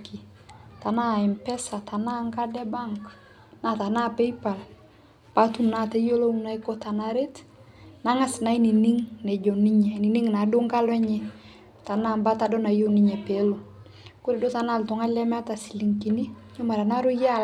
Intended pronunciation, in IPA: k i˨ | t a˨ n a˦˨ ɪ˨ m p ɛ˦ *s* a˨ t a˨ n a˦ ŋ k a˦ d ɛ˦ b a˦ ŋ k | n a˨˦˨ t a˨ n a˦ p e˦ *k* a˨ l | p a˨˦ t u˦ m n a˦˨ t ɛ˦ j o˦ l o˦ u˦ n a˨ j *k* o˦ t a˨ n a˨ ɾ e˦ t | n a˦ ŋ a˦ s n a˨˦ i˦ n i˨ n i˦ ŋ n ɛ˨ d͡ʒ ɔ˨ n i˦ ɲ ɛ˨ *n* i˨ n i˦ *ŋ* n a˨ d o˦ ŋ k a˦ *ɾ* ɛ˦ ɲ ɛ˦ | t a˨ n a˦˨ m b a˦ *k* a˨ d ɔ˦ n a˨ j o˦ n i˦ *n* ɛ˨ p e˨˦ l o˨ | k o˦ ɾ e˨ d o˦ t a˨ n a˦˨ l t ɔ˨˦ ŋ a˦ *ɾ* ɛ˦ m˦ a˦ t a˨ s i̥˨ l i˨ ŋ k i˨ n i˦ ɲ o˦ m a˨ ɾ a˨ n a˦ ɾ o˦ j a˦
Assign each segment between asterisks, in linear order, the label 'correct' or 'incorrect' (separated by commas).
correct, incorrect, correct, correct, correct, incorrect, incorrect, incorrect, incorrect